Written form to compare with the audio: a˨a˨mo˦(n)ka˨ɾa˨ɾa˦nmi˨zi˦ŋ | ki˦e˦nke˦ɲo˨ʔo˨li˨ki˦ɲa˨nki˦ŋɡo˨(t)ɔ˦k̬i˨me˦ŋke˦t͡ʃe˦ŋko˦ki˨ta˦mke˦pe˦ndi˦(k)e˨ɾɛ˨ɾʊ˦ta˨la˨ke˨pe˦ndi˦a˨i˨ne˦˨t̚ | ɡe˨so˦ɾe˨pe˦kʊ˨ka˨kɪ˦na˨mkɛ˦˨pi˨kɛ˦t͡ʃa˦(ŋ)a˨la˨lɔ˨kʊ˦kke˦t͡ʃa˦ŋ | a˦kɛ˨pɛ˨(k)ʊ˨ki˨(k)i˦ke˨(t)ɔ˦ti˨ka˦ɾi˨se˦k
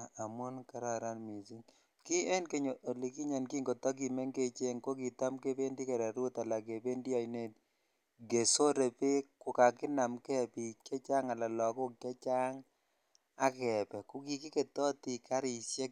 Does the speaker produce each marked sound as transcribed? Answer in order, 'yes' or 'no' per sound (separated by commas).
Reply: yes, yes, yes, yes, yes, yes, yes